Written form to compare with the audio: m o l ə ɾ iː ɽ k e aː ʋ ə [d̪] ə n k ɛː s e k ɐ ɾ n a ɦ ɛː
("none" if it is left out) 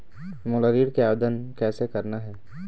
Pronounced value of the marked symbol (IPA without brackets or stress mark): d̪